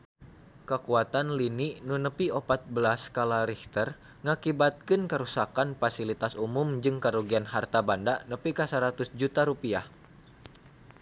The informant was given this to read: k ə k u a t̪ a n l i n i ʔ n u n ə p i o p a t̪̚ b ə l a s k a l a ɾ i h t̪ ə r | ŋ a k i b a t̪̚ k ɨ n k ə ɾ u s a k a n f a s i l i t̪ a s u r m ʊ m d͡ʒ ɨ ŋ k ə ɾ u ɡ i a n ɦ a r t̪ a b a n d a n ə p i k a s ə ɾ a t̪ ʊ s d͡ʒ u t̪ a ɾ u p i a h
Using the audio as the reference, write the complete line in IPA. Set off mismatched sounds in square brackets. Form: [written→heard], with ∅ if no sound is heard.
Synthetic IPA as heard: k ə k u a t̪ a n l i n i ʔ n u n ə p i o p a t̪̚ b ə l a s k a l a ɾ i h t̪ ə r | ŋ a k i b a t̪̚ k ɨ n k ə ɾ u s a k a n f a s i l i t̪ a s u [r→∅] m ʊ m d͡ʒ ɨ ŋ k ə ɾ u ɡ i a n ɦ a r t̪ a b a n d a n ə p i k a s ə ɾ a t̪ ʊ s d͡ʒ u t̪ a ɾ u p i a h